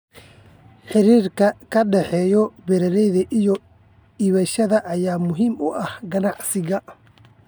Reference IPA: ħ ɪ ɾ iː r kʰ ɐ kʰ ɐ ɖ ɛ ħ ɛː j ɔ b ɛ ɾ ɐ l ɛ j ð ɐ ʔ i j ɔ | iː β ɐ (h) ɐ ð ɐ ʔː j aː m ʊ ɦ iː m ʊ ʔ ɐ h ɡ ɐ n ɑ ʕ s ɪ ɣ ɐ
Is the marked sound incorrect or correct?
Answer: incorrect